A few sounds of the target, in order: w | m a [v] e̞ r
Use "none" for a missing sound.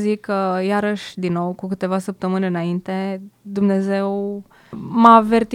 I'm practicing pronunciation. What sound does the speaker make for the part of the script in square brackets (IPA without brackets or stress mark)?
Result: v